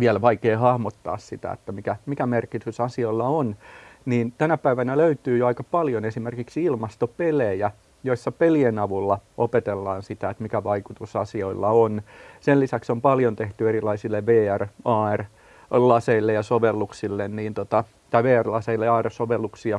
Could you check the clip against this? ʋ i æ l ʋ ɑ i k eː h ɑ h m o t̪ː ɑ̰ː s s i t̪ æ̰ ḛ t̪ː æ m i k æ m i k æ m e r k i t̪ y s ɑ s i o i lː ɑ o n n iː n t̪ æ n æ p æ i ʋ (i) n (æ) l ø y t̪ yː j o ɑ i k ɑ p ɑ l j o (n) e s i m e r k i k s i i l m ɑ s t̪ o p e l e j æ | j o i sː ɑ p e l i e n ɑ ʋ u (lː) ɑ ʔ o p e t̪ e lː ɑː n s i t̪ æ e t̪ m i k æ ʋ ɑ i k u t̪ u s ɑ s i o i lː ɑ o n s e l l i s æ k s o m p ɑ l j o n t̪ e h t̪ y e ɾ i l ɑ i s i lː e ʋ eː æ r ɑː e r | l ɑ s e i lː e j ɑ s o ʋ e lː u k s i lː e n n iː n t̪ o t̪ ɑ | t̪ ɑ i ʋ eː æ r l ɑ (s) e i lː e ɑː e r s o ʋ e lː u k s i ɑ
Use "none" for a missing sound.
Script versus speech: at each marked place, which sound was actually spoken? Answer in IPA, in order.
æ, æ, n, lː, s

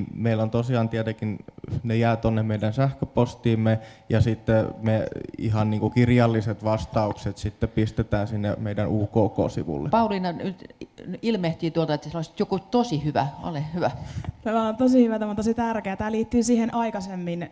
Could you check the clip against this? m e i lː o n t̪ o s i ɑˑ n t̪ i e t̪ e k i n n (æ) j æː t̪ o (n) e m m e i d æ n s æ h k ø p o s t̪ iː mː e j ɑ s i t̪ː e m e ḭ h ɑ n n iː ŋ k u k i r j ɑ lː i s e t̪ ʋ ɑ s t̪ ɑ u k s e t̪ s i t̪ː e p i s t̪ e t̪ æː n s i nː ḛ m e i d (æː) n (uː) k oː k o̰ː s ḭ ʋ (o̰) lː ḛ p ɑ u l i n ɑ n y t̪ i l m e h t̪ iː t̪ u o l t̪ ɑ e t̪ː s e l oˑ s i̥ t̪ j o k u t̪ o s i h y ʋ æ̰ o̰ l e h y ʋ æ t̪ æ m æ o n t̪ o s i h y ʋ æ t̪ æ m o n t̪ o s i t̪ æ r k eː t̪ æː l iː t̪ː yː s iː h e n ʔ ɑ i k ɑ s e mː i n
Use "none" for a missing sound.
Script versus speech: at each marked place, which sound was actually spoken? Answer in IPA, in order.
e, nː, æ, uː, ṵ

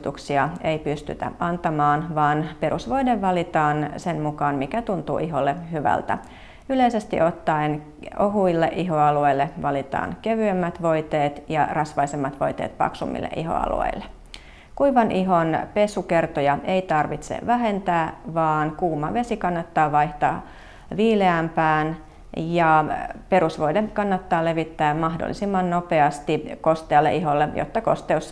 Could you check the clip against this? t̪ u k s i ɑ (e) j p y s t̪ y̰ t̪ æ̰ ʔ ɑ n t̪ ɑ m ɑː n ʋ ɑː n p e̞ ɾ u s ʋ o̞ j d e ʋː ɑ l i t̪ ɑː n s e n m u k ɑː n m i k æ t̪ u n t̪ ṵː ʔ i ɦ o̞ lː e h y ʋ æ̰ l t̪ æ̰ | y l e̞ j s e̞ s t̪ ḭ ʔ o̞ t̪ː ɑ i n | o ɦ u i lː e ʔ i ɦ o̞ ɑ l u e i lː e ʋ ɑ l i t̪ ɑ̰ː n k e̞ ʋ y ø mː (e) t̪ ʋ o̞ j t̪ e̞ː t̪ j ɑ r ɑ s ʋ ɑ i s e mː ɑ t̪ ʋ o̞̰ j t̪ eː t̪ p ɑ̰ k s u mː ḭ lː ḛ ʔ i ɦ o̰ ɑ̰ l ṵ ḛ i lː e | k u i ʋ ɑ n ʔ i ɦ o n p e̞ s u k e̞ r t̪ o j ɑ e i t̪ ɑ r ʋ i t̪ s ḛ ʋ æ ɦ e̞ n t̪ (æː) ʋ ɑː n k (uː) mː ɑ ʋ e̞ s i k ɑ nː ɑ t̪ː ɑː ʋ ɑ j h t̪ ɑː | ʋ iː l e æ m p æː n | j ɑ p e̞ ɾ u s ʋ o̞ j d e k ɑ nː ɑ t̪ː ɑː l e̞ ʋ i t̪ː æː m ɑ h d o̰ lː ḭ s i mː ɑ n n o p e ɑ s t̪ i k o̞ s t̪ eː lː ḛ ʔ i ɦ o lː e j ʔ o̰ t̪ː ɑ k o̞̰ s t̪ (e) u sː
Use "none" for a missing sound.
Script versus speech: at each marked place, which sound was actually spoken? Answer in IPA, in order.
e, æ, æː, uː, e

